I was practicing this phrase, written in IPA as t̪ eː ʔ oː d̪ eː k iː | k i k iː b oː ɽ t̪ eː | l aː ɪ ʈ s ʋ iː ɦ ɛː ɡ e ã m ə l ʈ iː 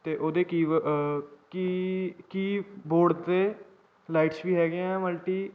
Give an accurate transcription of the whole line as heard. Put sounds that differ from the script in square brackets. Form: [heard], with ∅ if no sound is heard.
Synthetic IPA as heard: t̪ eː ʔ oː d̪ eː k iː | k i k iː b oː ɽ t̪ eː | l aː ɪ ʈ s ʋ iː ɦ ɛː ɡ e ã m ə l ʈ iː